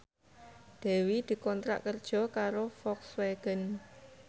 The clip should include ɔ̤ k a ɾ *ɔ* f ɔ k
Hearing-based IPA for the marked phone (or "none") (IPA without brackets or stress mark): o